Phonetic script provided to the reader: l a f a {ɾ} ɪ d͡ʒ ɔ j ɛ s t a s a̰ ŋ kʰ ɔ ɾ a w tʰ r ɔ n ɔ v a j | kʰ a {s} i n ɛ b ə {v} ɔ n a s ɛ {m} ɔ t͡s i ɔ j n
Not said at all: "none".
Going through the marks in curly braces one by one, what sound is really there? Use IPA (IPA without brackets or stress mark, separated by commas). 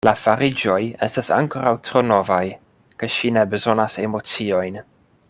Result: ɾ, ʃ, z, m